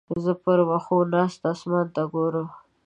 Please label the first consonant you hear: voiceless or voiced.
voiced